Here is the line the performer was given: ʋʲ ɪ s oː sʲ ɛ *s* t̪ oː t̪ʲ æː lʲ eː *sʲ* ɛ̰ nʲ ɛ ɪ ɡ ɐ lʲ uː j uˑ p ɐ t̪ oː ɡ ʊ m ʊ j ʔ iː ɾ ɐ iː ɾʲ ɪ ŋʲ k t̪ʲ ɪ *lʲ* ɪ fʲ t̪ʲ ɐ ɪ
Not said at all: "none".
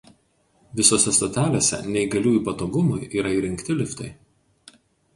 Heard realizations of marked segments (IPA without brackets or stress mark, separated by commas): s, sʲ, lʲ